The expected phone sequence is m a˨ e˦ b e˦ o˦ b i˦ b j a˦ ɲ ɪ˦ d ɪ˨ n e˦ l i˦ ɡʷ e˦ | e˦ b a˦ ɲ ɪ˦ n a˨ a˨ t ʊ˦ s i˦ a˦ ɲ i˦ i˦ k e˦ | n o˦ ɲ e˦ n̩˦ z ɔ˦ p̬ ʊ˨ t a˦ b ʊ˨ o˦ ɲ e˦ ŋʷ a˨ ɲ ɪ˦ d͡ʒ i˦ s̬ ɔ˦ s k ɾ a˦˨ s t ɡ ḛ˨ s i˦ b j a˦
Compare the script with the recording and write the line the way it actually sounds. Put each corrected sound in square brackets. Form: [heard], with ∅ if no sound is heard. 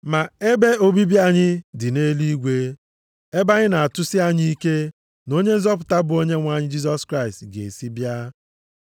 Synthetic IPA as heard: m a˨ e˦ b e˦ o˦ b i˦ b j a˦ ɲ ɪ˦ d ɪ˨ n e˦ l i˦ ɡʷ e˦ | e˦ b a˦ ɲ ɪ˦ n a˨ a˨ t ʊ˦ s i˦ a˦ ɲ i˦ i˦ k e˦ | n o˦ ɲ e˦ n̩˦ z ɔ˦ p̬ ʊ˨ t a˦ b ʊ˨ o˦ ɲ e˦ ŋʷ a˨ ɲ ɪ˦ d͡ʒ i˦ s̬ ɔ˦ s k ɾ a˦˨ s t ɡ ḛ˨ s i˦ b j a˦